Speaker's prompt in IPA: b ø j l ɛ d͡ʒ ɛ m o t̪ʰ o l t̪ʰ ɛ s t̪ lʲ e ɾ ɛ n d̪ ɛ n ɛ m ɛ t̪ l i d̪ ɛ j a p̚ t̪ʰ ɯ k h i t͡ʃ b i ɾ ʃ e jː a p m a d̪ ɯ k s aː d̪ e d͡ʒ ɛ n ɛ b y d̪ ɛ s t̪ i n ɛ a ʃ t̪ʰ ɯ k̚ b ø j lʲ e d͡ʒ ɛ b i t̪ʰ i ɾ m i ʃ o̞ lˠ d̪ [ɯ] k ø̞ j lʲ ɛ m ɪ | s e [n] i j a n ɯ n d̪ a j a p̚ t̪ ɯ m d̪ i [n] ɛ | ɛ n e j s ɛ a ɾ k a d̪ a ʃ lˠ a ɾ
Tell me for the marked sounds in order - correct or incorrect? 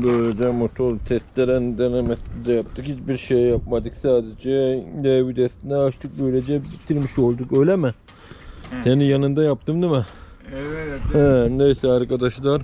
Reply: incorrect, correct, incorrect

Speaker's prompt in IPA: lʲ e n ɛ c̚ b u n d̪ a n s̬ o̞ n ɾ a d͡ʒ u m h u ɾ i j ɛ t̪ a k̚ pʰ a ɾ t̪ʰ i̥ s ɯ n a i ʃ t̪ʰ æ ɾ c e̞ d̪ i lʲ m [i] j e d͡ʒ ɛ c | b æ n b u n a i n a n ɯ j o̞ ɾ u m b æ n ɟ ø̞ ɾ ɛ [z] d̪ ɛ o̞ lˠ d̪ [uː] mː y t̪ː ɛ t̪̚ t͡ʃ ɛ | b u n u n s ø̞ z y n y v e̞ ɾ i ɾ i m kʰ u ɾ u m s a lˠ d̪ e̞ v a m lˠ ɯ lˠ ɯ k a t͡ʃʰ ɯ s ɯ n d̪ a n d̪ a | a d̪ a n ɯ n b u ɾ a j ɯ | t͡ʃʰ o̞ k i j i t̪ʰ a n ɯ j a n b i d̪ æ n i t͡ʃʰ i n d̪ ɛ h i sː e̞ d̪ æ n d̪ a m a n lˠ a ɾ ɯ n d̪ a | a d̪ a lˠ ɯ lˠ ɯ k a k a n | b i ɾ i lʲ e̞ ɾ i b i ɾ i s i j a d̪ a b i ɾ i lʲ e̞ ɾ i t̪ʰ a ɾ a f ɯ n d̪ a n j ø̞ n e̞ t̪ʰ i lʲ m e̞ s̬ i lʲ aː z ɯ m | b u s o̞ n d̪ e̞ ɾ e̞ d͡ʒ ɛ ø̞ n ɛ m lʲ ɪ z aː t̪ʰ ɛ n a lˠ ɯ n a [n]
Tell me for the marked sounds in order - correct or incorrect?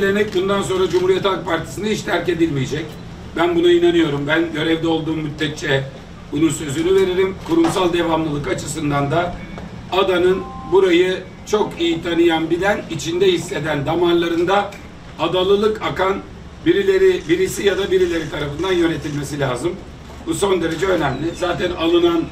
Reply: correct, incorrect, correct, correct

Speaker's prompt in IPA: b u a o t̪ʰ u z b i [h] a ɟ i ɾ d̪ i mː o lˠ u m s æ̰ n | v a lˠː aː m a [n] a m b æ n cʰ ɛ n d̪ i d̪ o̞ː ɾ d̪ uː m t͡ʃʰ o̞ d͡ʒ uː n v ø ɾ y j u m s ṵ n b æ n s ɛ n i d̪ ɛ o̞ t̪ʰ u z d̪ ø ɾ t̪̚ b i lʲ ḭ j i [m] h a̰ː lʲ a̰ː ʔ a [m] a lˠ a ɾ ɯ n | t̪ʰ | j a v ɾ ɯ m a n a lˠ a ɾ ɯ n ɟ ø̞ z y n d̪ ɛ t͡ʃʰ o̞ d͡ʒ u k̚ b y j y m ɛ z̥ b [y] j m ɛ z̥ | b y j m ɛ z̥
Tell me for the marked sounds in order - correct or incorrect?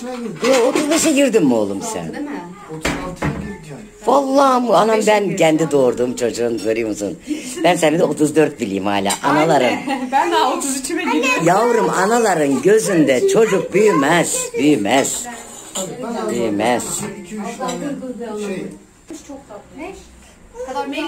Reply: incorrect, correct, correct, incorrect, correct

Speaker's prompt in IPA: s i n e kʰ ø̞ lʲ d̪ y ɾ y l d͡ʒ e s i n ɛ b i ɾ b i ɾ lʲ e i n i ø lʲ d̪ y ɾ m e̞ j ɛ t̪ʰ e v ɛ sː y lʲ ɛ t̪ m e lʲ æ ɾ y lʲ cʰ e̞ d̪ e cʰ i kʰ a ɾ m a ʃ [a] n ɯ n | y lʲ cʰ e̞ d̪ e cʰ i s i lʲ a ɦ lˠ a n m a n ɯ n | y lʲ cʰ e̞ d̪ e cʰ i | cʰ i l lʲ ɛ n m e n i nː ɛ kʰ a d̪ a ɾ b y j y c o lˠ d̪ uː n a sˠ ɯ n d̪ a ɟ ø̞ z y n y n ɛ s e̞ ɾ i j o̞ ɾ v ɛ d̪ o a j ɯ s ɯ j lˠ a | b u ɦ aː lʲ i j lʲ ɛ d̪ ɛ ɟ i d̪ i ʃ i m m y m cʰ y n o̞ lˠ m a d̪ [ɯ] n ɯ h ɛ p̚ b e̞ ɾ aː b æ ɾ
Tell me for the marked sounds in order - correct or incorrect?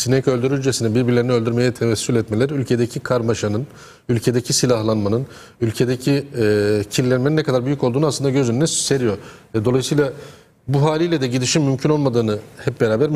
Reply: correct, incorrect

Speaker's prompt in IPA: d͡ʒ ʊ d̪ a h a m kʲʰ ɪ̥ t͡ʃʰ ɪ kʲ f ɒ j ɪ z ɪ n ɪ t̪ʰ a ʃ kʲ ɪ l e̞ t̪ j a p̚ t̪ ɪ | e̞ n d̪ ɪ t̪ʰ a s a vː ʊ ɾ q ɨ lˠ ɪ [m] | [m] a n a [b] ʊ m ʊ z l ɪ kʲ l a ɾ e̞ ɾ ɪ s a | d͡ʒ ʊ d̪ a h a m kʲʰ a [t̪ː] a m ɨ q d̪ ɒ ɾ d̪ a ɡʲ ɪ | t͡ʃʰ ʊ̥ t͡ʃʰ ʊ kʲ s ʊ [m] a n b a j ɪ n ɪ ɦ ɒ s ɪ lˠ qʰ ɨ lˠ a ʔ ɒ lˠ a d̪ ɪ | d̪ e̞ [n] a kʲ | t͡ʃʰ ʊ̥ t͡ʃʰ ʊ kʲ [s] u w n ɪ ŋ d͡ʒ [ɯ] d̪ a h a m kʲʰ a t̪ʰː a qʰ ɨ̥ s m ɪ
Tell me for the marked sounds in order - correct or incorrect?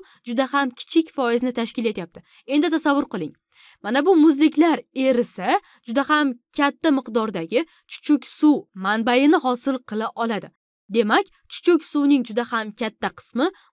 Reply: incorrect, correct, correct, correct, correct, incorrect, correct, incorrect

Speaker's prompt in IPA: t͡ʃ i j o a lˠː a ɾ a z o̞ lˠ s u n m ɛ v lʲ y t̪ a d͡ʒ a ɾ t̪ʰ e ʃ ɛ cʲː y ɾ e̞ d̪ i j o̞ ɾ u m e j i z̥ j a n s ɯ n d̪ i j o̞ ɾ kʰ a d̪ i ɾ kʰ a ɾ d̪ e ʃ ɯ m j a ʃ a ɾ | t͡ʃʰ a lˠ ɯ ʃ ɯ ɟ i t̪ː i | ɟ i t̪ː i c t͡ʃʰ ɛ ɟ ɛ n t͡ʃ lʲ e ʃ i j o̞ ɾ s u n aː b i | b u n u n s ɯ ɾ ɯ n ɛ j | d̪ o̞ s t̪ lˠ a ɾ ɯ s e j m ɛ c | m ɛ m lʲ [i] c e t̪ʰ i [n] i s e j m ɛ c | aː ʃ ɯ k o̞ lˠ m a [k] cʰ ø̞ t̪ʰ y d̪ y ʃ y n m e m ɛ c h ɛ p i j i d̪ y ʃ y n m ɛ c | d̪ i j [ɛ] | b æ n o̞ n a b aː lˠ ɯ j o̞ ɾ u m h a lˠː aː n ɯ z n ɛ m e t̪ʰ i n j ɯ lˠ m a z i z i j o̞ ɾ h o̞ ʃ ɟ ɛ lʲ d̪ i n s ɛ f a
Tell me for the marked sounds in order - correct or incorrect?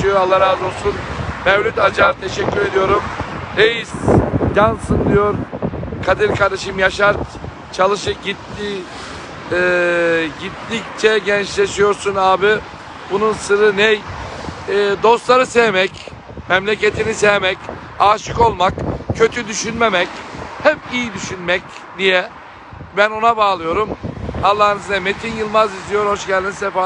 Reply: incorrect, correct, correct, correct

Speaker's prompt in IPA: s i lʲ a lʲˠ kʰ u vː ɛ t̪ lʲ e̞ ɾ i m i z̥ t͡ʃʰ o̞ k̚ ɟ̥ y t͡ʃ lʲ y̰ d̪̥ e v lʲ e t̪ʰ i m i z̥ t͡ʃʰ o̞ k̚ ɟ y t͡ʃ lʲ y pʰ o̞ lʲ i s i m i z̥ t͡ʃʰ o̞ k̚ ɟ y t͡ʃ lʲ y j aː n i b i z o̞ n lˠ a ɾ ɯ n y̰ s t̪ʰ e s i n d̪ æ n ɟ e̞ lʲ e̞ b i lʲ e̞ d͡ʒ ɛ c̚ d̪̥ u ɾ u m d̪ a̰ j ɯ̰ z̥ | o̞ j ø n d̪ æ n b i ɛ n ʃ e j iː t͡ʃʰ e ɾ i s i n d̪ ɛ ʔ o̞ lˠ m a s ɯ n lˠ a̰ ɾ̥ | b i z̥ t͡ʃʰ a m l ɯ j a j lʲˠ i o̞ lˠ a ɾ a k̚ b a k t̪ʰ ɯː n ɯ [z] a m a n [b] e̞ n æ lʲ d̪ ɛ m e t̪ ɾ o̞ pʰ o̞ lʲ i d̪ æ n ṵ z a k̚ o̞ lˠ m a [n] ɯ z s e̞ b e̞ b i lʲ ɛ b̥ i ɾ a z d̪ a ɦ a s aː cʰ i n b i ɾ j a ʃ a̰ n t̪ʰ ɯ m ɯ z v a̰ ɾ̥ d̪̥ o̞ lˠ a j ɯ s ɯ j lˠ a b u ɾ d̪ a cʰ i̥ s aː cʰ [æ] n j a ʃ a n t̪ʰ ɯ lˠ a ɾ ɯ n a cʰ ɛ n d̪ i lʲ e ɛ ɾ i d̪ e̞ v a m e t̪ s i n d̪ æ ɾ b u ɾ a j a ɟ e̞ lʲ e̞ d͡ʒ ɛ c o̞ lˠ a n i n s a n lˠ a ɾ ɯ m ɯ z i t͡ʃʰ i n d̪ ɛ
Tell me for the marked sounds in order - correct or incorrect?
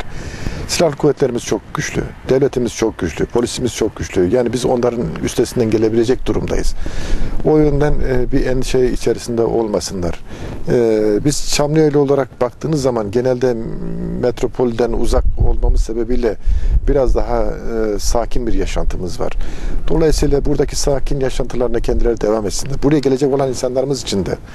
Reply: incorrect, incorrect, incorrect, incorrect

